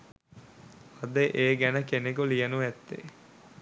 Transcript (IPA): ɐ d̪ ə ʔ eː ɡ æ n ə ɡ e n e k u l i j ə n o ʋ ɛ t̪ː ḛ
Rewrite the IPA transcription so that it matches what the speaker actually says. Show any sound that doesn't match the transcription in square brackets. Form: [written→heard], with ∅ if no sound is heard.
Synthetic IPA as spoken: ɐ d̪ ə ʔ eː ɡ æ n ə [ɡ→k] e n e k u l i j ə n [o→u] ʋ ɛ t̪ː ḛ